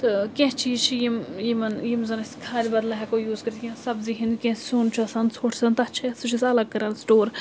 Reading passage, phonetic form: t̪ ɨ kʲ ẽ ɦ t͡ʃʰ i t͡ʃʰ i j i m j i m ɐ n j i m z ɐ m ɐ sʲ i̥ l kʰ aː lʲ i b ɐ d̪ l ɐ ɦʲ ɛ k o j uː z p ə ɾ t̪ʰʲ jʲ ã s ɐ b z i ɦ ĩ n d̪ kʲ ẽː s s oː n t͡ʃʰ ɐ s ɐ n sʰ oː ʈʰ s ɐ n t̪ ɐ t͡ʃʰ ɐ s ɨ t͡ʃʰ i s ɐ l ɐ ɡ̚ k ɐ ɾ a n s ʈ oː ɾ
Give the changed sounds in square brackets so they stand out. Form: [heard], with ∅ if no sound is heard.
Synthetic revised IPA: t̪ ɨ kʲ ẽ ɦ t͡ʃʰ i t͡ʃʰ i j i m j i m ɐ n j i m z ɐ [n] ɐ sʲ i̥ [∅] kʰ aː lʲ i b ɐ d̪ l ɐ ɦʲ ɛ k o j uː z [k] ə ɾ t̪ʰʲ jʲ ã s ɐ b z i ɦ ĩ n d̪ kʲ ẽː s s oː n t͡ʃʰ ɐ s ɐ n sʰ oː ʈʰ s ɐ n t̪ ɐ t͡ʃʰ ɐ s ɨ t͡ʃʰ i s ɐ l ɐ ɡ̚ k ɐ ɾ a n s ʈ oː ɾ